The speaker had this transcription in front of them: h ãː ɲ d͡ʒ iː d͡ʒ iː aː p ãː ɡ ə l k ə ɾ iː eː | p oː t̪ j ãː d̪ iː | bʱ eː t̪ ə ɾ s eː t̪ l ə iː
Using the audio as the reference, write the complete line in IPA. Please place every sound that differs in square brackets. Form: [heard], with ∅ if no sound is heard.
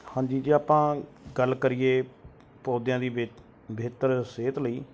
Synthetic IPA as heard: h ãː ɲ d͡ʒ iː d͡ʒ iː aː p ãː ɡ ə l k ə ɾ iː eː | p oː [d̪] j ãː d̪ iː | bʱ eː t̪ ə ɾ s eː t̪ l ə iː